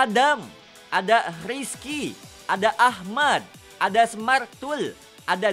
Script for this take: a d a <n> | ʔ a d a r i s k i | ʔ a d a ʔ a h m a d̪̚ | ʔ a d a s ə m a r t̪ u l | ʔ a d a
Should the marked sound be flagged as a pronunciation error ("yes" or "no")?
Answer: yes